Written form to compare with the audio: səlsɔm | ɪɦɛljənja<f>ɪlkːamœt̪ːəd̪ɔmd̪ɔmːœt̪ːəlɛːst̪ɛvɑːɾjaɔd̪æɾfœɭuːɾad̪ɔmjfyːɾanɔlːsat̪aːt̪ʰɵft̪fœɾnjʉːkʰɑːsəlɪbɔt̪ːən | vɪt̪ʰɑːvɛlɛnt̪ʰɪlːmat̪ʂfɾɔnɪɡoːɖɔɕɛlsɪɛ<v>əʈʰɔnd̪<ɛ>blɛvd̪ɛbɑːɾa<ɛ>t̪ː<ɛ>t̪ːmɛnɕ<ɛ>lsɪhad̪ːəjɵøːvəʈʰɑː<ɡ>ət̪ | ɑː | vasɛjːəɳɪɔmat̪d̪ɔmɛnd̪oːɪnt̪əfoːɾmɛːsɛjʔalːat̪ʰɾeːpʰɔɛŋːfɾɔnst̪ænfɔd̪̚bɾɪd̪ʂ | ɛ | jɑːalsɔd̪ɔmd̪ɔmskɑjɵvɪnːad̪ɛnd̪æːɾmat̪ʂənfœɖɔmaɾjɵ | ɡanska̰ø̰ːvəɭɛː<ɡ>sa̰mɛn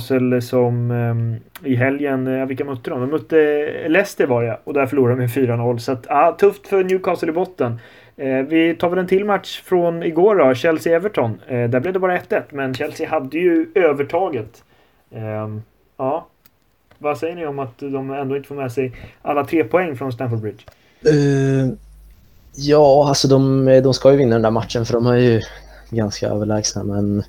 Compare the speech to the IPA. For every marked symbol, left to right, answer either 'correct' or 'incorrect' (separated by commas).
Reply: incorrect, correct, incorrect, correct, correct, correct, correct, correct